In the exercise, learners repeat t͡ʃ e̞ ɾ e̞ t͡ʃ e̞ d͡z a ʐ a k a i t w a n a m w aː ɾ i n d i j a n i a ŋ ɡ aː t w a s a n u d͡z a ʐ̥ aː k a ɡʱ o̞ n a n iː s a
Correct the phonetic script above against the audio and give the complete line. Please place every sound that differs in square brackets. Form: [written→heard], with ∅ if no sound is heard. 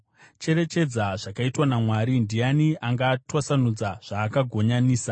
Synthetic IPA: t͡ʃ e̞ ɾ e̞ t͡ʃ e̞ d͡z a ʐ a k a i t w a n a m w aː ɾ i n d i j a n i a ŋ ɡ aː t w a s a n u d͡z a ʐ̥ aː k a ɡʱ o̞ [n→ɲ] a n iː s a